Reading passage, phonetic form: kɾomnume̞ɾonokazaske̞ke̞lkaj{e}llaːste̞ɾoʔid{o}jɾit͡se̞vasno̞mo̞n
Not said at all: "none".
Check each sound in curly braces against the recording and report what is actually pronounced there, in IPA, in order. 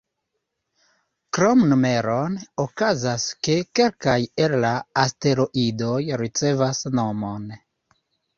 e, o

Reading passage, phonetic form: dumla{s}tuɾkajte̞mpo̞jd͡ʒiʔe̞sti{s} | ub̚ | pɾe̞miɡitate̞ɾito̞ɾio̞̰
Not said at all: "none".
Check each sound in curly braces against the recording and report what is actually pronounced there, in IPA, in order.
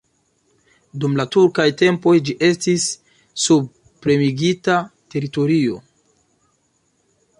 none, sː

